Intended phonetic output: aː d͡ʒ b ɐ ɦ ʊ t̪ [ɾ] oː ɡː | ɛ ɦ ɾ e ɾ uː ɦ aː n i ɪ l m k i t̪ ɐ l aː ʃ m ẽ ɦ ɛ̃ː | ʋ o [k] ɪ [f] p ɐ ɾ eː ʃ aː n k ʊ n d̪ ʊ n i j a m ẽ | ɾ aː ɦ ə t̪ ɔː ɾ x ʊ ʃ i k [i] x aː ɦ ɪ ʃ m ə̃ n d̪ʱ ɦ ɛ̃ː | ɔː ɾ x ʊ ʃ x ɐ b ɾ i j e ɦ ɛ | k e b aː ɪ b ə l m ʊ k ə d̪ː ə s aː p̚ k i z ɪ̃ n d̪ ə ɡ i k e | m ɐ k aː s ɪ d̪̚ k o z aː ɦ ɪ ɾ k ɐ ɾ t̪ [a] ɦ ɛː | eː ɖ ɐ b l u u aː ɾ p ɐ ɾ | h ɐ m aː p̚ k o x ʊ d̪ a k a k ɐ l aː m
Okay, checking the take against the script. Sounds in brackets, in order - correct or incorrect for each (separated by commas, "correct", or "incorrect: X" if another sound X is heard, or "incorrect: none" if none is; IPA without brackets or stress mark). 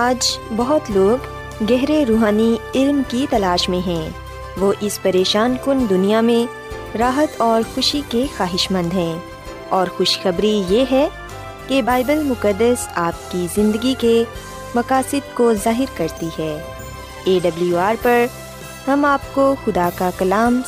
incorrect: l, incorrect: ʔ, incorrect: s, incorrect: e, incorrect: i